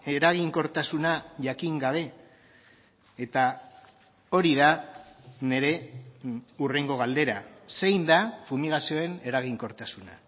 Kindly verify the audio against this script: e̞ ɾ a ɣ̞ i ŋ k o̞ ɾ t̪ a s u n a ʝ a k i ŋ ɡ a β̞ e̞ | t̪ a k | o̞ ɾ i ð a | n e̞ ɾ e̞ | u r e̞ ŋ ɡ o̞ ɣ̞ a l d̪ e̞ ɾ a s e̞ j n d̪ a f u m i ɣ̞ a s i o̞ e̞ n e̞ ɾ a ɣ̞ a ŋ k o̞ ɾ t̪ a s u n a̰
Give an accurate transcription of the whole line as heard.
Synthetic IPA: e̞ ɾ a ɣ̞ i ŋ k o̞ ɾ t̪ a s u n a ʝ a k i ŋ ɡ a β̞ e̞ | t̪ a | o̞ ɾ i ð a | n e̞ ɾ e̞ | u r e̞ ŋ ɡ o̞ ɣ̞ a l d̪ e̞ ɾ a s e̞ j n d̪ a f u m i ɣ̞ a s i o̞ e̞ n e̞ ɾ a ɣ̞ i ŋ k o̞ ɾ t̪ a s u n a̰